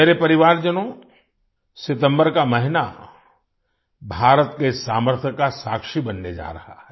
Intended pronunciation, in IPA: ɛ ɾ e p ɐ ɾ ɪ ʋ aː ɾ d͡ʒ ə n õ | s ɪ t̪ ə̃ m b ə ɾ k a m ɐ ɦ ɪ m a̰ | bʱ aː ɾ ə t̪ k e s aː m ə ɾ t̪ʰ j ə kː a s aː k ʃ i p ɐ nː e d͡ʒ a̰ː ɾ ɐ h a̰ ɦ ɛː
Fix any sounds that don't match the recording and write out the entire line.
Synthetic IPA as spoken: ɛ ɾ e p ɐ ɾ ɪ ʋ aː ɾ d͡ʒ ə n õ | s ɪ t̪ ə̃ m b ə ɾ k a m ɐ ɦ ɪ n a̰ | bʱ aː ɾ ə t̪ k e s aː m ə ɾ t̪ʰ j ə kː a s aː k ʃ i b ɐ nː e d͡ʒ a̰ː ɾ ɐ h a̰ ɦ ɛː